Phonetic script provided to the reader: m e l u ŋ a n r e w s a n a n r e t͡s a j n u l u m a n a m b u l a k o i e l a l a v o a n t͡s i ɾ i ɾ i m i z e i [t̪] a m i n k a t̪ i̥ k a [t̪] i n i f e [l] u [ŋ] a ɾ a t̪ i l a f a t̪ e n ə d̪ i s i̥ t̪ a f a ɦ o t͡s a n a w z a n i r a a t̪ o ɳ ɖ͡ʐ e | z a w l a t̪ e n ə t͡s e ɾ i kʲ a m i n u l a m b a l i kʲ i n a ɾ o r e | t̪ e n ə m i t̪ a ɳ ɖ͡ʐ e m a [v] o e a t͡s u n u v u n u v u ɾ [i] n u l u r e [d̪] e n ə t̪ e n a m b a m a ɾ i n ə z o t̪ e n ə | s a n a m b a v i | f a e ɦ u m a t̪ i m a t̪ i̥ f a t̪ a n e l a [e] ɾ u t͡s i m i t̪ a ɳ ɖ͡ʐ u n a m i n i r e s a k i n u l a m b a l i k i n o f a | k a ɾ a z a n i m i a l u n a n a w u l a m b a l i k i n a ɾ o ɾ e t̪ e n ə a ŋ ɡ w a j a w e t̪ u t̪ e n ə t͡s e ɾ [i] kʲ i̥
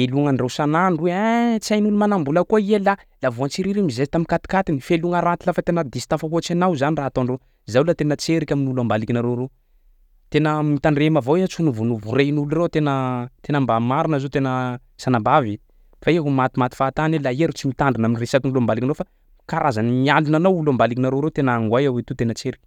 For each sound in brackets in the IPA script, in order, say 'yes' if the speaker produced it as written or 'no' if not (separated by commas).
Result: yes, yes, yes, yes, yes, no, no, yes, yes